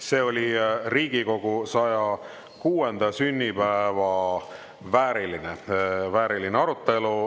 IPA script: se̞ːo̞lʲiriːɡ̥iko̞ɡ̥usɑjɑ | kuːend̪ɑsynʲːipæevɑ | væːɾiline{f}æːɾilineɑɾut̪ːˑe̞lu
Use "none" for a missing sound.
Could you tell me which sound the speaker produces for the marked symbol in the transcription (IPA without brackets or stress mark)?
v